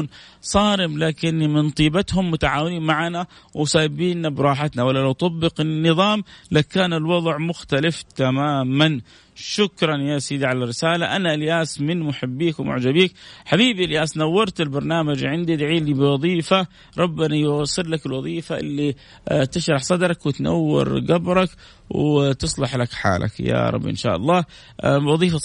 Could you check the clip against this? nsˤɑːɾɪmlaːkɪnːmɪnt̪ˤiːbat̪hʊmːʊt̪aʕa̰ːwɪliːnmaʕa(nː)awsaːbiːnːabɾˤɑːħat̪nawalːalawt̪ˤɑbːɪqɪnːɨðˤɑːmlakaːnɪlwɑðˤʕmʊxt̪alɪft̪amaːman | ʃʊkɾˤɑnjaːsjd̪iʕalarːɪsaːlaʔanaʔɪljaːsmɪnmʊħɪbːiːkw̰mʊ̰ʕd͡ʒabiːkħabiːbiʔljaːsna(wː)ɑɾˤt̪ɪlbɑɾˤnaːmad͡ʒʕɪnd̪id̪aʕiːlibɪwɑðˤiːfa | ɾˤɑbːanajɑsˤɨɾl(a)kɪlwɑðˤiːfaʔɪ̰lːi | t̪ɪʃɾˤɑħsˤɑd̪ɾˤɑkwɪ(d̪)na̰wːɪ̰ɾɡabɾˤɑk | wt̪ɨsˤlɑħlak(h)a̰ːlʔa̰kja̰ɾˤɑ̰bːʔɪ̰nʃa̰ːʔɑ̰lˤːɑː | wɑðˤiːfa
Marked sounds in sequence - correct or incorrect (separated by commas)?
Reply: incorrect, correct, correct, incorrect, incorrect